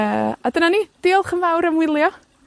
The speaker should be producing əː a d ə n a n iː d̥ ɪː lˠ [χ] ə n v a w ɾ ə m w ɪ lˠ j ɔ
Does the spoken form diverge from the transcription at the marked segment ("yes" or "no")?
no